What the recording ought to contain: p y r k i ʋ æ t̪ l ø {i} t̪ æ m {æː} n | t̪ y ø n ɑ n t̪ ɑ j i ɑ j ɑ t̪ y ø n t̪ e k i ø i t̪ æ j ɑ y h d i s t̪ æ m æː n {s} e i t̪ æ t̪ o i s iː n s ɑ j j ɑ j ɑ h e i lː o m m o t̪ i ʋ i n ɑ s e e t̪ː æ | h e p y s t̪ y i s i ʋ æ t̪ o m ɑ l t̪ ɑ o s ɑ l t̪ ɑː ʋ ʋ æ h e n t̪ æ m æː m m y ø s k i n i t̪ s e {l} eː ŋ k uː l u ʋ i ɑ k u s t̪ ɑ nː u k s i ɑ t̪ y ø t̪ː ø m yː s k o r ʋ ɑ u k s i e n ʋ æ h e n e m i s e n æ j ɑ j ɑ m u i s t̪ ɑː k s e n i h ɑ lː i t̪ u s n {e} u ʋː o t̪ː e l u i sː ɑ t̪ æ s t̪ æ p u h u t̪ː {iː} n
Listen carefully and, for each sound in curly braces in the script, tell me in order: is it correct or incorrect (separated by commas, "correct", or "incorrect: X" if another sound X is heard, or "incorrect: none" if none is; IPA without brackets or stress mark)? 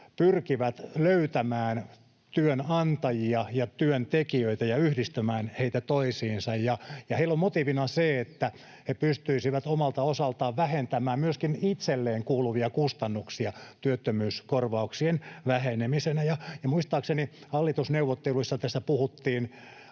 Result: incorrect: y, correct, incorrect: h, incorrect: lː, correct, correct